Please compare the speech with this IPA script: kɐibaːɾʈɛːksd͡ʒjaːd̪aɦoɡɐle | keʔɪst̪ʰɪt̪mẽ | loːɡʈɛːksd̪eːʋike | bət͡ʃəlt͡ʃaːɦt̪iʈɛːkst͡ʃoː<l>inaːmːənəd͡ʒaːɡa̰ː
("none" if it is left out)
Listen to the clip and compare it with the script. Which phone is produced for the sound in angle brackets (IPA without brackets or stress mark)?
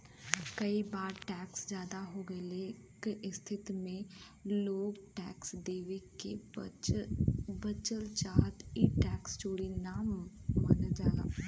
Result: ɽ